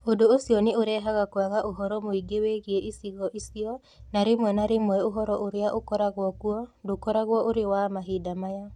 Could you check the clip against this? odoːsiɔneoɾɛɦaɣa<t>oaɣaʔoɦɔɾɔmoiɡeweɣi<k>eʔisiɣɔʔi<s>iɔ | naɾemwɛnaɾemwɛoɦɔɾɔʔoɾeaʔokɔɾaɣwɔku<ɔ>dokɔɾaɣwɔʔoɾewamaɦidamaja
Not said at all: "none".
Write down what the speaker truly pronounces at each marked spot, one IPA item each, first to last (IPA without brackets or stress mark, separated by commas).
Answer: k, none, s, ɔ